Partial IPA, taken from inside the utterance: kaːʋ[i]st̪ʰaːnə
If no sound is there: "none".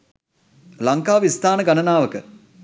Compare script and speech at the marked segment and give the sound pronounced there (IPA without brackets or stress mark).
i